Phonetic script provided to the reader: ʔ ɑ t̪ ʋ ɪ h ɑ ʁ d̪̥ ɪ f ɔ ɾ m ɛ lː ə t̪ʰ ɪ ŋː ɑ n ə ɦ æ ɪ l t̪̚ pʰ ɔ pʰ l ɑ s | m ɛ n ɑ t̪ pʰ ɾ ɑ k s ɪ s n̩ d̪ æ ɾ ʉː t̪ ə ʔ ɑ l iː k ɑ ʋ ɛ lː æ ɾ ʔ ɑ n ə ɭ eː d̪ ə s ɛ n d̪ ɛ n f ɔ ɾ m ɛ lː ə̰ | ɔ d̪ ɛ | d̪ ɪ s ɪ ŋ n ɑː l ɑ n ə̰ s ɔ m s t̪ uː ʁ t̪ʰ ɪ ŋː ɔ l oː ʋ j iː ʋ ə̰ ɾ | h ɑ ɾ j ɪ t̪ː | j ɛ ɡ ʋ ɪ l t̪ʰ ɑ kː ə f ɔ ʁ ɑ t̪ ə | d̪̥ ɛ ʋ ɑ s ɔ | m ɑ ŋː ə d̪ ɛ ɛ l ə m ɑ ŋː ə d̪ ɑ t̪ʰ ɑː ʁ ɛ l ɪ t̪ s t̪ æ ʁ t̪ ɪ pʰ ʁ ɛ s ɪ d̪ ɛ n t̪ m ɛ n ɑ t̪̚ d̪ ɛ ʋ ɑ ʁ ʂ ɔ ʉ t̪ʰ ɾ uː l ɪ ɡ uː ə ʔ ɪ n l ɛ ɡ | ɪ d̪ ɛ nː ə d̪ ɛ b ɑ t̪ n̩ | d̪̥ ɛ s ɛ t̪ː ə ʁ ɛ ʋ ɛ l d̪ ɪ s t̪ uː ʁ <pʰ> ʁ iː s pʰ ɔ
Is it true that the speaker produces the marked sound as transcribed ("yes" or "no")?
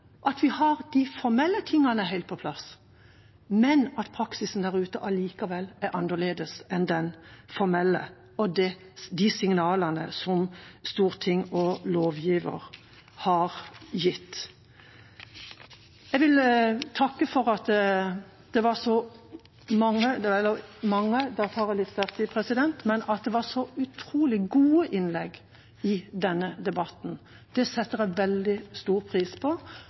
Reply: yes